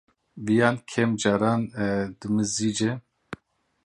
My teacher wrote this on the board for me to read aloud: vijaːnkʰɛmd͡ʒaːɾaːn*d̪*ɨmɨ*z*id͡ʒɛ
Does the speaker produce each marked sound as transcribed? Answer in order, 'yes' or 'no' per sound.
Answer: yes, yes

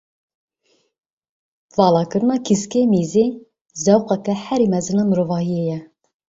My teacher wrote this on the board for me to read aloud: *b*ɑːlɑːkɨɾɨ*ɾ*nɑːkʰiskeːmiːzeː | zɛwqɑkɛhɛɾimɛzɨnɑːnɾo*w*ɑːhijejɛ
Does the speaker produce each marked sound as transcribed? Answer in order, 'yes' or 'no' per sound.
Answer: no, no, no

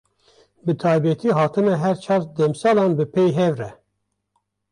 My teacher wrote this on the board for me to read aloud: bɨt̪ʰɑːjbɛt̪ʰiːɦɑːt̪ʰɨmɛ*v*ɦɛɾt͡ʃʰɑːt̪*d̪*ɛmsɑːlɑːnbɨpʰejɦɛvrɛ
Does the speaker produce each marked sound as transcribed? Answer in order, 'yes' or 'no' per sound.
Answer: no, yes

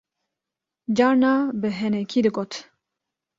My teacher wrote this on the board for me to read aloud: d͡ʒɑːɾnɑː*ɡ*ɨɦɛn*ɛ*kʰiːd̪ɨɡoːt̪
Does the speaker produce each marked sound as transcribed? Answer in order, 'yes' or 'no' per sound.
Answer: no, yes

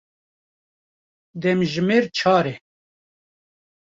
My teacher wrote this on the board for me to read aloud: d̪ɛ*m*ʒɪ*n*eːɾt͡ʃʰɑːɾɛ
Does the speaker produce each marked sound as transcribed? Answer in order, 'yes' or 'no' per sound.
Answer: yes, no

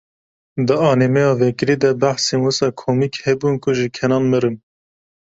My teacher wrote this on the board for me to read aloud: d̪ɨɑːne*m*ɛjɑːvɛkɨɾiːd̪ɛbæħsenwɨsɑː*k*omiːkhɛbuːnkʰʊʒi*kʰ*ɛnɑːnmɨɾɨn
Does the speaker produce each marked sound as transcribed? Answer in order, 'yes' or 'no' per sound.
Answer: yes, no, yes

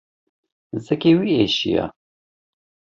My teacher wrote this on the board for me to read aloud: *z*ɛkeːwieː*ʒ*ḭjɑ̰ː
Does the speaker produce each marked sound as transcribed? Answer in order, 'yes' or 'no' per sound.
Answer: yes, no

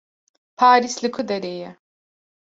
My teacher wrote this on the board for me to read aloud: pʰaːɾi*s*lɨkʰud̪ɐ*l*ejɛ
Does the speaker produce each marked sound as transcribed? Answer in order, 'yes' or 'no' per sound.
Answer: yes, no

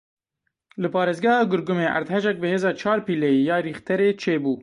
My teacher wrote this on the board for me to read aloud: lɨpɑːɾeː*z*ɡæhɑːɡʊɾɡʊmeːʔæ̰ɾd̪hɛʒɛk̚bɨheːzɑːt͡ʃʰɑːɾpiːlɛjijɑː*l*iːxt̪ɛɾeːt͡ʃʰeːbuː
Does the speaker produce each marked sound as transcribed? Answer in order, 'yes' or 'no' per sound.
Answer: yes, no

